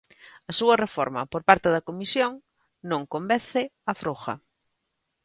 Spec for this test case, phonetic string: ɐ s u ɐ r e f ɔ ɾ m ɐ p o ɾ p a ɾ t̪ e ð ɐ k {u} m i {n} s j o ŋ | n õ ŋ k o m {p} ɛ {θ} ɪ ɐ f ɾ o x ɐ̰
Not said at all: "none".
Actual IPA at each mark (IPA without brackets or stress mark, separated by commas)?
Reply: o, none, b, θ